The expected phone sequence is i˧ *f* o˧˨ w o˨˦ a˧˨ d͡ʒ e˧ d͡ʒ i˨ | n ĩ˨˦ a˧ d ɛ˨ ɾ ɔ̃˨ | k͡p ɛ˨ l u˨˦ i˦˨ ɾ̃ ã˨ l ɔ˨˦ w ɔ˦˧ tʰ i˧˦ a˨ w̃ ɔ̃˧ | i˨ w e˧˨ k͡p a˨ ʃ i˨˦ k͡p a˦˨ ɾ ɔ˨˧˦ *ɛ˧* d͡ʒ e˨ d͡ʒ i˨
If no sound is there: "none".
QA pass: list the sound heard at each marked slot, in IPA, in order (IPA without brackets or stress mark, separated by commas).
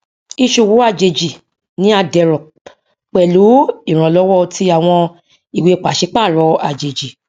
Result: ʃ, a˧